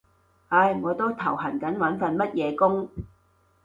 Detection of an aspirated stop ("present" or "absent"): present